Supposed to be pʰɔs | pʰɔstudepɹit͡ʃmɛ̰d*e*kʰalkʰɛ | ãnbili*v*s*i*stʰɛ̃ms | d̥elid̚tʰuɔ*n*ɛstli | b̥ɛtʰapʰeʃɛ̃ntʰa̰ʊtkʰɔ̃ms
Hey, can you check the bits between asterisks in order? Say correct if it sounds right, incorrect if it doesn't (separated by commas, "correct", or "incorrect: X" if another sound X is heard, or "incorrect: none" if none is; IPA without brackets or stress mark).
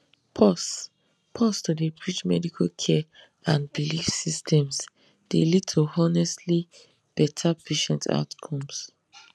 incorrect: i, incorrect: f, correct, correct